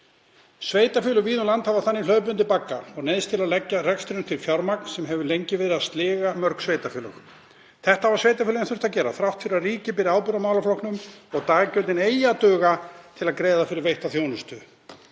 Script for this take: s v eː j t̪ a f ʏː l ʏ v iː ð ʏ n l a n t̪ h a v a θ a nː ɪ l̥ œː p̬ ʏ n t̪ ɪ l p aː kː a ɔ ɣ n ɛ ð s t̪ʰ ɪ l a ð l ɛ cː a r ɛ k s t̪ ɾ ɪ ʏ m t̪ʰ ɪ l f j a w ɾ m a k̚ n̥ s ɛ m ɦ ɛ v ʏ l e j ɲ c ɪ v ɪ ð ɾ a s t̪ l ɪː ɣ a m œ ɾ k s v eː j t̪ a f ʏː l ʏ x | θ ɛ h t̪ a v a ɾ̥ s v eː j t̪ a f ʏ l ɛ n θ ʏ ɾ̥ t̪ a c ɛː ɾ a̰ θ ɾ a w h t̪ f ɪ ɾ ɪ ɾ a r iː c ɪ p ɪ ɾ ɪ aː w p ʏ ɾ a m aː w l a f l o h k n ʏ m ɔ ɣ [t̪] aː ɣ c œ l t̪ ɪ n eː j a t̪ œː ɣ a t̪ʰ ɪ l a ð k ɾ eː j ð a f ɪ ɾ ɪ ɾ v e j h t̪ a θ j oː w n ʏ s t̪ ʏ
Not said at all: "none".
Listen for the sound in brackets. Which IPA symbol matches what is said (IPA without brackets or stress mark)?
t̪